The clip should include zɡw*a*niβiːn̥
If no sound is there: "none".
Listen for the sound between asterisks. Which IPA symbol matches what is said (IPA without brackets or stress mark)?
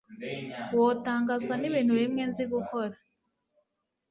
a